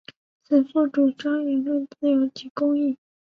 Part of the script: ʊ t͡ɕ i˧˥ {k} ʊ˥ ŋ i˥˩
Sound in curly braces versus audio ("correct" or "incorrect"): correct